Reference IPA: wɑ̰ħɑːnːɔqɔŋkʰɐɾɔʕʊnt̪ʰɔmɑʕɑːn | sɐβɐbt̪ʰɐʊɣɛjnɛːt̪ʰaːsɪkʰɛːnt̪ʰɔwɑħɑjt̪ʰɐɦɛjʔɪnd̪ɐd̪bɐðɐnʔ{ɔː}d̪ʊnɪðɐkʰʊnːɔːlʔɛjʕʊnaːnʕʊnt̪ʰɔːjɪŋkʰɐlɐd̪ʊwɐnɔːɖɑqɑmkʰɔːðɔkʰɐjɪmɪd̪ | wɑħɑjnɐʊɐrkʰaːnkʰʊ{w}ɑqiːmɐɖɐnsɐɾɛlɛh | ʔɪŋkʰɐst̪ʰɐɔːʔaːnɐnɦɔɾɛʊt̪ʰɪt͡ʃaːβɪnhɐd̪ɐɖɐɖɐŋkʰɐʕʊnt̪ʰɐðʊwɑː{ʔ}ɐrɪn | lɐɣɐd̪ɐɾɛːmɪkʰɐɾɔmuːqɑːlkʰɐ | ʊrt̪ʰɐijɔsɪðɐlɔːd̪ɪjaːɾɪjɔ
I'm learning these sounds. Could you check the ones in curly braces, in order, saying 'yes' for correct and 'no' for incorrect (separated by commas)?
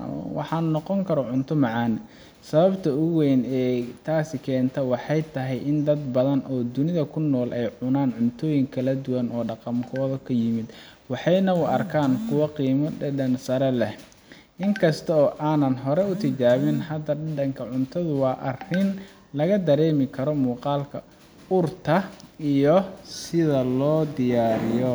yes, yes, yes